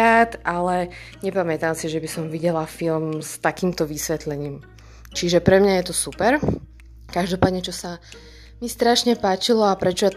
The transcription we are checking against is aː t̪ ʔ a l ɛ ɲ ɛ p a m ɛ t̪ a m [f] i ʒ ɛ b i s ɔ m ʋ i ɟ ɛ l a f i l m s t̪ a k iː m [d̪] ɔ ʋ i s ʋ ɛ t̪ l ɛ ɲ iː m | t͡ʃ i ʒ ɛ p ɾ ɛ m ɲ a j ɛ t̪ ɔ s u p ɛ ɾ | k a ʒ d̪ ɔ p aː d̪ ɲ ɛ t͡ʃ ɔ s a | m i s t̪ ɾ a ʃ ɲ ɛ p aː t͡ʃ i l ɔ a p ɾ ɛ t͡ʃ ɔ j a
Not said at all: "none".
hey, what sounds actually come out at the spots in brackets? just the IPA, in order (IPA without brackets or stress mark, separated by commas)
s, t̪